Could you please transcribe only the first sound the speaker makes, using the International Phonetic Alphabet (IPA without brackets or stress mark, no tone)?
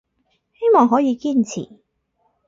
h